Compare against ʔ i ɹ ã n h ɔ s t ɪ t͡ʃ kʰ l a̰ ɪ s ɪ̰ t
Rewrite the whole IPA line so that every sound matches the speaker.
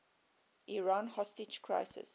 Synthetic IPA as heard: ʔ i ɹ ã n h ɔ s t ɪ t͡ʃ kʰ ɹ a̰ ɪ s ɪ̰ s